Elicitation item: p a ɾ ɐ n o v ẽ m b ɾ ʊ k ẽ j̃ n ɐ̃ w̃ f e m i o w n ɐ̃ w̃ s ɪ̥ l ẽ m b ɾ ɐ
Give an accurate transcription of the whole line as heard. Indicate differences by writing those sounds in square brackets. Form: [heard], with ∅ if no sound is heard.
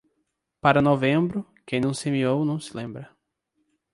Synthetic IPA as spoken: p a ɾ ɐ n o v ẽ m b ɾ ʊ k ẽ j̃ n ɐ̃ w̃ [s] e m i o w n ɐ̃ w̃ s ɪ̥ l ẽ m b ɾ ɐ